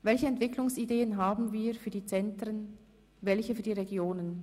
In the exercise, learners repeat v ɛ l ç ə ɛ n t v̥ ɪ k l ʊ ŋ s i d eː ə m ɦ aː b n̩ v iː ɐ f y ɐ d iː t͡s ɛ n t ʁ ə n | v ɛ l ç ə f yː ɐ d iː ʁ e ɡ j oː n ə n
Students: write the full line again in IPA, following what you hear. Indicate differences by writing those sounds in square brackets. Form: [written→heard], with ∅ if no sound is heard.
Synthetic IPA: v ɛ l ç ə ɛ n t v̥ ɪ k l ʊ ŋ s i d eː ə [m→n] ɦ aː b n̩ v iː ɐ f [y→yː] ɐ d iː t͡s ɛ n t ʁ ə n | v ɛ l ç ə f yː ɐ d iː ʁ e ɡ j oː n ə n

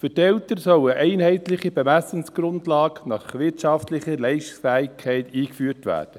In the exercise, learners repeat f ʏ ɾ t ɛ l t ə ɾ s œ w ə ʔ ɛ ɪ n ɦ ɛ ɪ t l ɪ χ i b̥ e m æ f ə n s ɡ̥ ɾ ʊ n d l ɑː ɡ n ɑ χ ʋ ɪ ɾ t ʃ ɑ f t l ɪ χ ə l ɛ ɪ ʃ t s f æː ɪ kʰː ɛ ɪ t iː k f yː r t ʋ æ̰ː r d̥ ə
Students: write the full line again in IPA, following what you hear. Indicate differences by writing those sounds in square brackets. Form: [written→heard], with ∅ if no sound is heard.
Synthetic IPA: f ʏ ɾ t ɛ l t ə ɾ s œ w ə ʔ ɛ ɪ n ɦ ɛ ɪ t l ɪ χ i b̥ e m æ [f→s] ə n s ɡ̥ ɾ ʊ n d l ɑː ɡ n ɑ χ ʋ ɪ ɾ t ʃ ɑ f t l ɪ χ ə l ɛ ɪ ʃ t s f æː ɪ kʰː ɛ ɪ t iː k f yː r t ʋ æ̰ː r d̥ ə

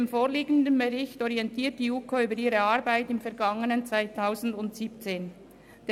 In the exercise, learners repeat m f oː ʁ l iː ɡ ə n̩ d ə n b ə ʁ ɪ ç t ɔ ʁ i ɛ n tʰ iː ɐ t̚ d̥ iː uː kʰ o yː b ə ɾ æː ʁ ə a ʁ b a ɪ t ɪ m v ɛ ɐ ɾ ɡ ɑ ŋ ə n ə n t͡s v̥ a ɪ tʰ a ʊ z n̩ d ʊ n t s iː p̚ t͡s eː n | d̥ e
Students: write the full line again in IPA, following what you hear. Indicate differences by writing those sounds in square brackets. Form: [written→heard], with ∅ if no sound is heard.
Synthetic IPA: m f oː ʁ l iː ɡ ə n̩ d ə n b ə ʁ ɪ ç t ɔ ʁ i ɛ n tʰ iː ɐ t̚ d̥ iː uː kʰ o yː b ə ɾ [æː→iː] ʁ ə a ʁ b a ɪ t ɪ m [v→f] ɛ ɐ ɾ ɡ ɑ ŋ ə n ə n t͡s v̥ a ɪ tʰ a ʊ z n̩ d ʊ n t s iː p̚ t͡s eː n | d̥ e

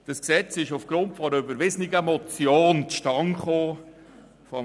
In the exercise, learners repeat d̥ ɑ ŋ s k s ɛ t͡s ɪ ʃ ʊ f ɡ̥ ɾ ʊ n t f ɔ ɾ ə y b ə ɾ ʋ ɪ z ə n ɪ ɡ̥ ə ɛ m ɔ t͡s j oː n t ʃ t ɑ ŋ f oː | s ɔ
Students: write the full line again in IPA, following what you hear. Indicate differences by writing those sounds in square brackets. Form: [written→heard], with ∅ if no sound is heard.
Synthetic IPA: d̥ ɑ [ŋ→∅] s k s ɛ t͡s ɪ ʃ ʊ f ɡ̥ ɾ ʊ n t f ɔ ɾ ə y b ə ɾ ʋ ɪ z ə n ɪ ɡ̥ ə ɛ m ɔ t͡s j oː n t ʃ t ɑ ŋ [f→χ] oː | [s→f] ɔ

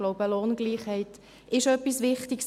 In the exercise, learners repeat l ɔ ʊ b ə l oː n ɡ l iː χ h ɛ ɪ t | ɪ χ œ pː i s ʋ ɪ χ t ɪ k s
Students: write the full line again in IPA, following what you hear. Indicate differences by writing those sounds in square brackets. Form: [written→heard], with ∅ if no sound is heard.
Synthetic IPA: l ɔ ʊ b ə l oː n ɡ l iː χ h ɛ ɪ t | ɪ [χ→ʃ] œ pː i s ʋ ɪ χ t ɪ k s

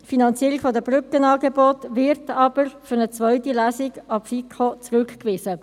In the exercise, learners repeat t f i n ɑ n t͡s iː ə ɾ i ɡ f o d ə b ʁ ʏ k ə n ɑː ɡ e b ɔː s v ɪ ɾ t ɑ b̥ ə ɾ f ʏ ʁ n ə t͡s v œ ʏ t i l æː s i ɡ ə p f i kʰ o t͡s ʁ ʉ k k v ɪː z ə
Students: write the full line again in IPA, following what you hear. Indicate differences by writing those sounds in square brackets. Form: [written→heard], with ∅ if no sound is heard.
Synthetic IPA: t f i n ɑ n t͡s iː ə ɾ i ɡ f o d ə b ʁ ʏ k ə n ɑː ɡ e b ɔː [s→t] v ɪ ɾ t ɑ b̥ ə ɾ f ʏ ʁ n ə t͡s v œ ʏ t i l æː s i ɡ [ə→ɑ] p f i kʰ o t͡s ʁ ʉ k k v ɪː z ə

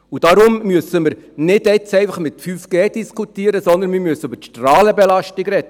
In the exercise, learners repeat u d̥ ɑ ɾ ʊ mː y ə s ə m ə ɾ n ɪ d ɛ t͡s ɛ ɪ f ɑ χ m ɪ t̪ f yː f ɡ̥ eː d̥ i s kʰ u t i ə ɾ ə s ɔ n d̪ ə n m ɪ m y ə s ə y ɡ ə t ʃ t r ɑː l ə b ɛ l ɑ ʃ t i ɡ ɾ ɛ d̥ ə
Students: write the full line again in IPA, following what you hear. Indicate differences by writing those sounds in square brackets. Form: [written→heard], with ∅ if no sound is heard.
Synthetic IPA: u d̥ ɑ ɾ ʊ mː y ə s ə m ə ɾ n ɪ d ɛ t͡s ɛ ɪ f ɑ χ m ɪ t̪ f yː f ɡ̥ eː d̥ i s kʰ u t i ə ɾ ə s ɔ n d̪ ə n m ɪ m y ə s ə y [ɡ→b] ə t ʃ t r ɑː l ə b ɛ l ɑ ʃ t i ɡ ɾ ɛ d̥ ə

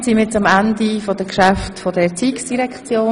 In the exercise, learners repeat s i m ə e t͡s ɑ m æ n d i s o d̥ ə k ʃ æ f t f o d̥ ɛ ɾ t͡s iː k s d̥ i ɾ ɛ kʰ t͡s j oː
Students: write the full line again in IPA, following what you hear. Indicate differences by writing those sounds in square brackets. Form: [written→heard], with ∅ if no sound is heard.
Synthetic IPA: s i m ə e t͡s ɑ m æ n d i [s→f] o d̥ ə k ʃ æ f t f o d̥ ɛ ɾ t͡s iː k s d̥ i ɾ ɛ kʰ t͡s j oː

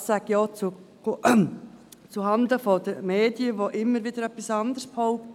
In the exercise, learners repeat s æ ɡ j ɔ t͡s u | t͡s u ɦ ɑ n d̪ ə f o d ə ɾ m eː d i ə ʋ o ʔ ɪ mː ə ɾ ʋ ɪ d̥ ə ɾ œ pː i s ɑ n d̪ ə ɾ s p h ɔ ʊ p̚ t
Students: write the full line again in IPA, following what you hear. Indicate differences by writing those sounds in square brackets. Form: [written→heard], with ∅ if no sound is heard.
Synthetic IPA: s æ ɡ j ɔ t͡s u | t͡s u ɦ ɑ n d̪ ə f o d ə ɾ m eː d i ə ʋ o ʔ ɪ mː ə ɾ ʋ ɪ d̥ ə ɾ œ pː i s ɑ n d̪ ə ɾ s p h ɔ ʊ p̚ t

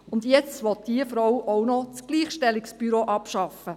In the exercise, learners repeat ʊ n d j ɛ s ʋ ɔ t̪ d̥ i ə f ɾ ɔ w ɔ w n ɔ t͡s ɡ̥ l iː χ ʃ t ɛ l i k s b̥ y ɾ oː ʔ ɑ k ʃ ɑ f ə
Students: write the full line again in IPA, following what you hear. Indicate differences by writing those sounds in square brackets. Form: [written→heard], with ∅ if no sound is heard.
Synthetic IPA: ʊ n d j ɛ [s→t͡s] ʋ ɔ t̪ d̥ i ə f ɾ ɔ w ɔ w n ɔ t͡s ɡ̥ l iː χ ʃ t ɛ l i k s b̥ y ɾ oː ʔ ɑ [k→p] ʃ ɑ f ə

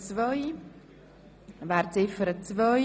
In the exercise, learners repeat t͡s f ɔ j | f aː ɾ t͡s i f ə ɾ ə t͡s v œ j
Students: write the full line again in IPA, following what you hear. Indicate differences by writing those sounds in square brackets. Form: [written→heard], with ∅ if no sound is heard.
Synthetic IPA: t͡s [f→v] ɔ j | [f→v] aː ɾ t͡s [i→ɪ] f ə ɾ ə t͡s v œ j

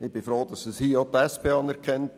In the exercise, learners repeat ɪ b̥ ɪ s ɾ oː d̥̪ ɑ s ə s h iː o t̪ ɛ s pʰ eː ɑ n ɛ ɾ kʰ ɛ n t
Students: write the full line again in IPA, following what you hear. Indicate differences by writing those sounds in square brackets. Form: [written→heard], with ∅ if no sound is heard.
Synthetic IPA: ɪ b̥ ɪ [s→f] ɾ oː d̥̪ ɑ s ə s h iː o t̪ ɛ s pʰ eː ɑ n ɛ ɾ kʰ ɛ n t

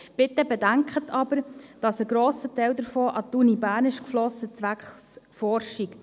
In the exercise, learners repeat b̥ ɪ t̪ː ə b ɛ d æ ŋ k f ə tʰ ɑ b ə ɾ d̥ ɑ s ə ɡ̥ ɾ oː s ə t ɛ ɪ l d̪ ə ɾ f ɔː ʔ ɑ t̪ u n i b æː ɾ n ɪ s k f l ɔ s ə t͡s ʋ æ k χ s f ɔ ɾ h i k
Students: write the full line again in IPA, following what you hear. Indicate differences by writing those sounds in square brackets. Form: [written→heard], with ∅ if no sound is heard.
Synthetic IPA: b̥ ɪ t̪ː ə b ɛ d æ ŋ k [f→χ] ə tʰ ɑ b ə ɾ d̥ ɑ s ə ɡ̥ ɾ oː s ə t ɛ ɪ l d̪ ə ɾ f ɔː ʔ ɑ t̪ u n i b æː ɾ n ɪ [s→ʃ] k f l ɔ s ə t͡s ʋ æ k χ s f ɔ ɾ [h→ʃ] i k

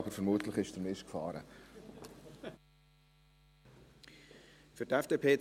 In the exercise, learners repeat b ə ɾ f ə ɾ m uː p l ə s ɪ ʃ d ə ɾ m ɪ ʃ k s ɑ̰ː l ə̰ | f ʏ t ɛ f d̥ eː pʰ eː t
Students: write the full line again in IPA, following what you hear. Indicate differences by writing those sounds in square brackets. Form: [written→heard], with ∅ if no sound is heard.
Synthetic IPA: b ə ɾ f ə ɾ m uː [p→t] l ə [s→χ] ɪ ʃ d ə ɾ m ɪ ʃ k [s→f] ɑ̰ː [l→ɾ] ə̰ | f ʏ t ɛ f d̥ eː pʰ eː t

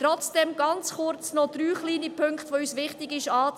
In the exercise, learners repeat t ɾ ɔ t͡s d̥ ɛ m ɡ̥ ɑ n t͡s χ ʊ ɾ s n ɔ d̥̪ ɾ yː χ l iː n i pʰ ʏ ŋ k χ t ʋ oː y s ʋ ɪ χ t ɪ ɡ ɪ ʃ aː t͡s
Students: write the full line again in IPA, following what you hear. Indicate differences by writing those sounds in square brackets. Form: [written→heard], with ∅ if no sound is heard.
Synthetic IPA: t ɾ ɔ t͡s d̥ ɛ m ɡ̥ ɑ n t͡s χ ʊ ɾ [s→t͡s] n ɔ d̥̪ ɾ yː χ l iː n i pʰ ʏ ŋ k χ t ʋ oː y s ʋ ɪ χ t ɪ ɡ ɪ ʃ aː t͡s

